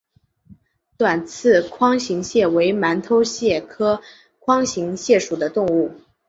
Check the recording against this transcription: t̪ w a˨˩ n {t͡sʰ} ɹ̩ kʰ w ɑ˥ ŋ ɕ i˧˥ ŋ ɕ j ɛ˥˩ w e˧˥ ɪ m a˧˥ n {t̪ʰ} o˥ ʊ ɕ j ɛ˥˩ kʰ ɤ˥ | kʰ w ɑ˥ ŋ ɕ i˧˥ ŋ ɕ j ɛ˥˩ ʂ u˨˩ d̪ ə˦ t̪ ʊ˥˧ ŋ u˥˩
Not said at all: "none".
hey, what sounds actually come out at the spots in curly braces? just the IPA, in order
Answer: t͡sʰ, t̪ʰ

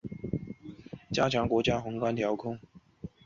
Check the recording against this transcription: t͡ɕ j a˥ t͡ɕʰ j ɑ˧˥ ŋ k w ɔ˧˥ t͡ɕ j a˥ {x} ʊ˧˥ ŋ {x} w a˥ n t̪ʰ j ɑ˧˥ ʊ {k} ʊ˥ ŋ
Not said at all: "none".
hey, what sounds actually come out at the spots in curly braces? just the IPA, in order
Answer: x, k, kʰ

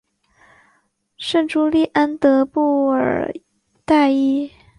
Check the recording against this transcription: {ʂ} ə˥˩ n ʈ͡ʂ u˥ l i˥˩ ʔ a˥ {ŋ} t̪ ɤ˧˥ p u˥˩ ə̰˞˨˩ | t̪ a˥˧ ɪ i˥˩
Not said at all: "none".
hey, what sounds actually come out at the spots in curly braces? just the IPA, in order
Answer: ʂ, n

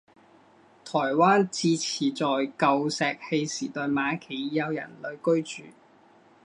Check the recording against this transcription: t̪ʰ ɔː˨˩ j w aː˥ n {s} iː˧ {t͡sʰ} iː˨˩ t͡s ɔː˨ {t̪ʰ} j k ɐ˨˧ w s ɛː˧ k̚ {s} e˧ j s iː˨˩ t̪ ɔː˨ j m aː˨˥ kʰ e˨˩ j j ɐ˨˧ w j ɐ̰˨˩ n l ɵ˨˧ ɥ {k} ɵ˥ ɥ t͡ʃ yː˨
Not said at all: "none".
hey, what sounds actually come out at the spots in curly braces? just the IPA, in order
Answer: t͡s, t͡sʰ, none, h, k

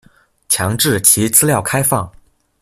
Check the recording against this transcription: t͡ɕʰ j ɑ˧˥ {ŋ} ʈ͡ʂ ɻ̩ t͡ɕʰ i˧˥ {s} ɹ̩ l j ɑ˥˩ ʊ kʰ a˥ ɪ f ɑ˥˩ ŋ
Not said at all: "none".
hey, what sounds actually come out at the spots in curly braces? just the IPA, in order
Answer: ŋ, t͡s

